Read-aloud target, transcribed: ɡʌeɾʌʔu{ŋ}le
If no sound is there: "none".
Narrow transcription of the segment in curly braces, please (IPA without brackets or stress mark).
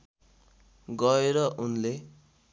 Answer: n